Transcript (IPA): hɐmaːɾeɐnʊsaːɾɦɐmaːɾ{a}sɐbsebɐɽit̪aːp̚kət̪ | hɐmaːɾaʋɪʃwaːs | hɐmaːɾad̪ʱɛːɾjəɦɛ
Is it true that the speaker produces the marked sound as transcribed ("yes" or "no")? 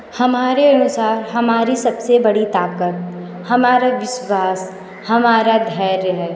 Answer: no